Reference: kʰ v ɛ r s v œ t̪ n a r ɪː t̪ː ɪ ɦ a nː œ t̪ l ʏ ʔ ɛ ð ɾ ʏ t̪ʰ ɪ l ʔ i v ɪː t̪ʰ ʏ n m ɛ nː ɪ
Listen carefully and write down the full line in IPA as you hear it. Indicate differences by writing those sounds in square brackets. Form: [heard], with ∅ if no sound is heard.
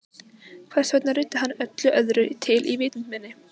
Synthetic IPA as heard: kʰ v ɛ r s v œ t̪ n a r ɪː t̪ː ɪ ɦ a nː œ t̪ l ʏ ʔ [œ] ð ɾ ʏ t̪ʰ ɪ l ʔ i v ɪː [t̪] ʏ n m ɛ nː ɪ